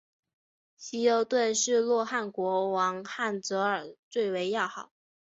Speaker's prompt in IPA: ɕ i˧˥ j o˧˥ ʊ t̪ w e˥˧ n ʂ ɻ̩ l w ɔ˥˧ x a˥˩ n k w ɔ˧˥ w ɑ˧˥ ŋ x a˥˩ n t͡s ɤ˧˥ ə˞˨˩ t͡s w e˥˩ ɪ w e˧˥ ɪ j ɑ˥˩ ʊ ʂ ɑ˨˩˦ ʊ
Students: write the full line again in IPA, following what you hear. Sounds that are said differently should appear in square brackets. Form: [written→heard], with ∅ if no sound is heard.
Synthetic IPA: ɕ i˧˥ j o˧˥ ʊ t̪ w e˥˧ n ʂ ɻ̩ l w ɔ˥˧ x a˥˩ n k w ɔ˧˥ w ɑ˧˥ ŋ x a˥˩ n t͡s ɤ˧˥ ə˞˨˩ t͡s w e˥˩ ɪ w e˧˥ ɪ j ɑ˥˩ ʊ [ʂ→x] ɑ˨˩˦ ʊ